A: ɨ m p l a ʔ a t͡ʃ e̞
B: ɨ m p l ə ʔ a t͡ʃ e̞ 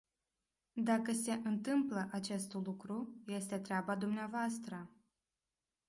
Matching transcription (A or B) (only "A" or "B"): B